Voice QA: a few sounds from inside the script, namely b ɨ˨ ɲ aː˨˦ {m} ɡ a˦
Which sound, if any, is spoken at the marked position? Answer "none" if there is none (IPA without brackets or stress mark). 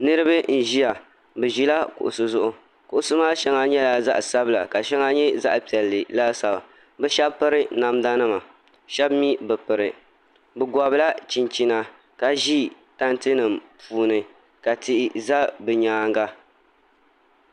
ŋ